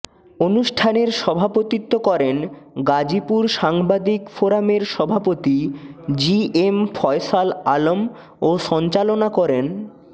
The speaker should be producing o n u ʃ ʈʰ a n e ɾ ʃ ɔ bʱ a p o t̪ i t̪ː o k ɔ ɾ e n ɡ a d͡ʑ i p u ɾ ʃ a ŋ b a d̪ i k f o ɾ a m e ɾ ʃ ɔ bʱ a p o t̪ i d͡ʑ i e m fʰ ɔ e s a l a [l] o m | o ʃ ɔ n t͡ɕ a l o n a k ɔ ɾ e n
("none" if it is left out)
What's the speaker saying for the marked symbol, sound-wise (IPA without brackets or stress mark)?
l